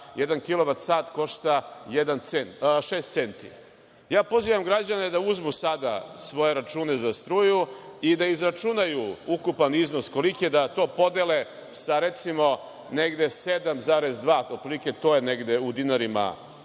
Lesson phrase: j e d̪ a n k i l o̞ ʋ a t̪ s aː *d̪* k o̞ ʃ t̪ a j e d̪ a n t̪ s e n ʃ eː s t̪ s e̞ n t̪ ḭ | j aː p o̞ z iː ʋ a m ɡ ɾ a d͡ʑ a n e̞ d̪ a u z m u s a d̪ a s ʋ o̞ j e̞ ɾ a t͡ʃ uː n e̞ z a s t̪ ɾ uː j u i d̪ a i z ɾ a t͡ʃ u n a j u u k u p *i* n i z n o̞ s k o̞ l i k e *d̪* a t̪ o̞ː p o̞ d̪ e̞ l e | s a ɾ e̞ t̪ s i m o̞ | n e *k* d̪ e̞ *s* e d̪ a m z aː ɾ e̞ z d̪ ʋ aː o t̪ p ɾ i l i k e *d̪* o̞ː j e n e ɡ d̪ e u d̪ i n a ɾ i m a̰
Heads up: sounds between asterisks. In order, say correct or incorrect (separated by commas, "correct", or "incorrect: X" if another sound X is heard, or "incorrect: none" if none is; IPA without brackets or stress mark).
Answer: incorrect: t̪, incorrect: a, correct, incorrect: ɡ, correct, incorrect: t̪